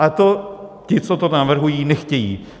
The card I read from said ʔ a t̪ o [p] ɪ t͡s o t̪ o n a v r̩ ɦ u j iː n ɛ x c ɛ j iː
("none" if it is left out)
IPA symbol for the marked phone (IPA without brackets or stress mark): c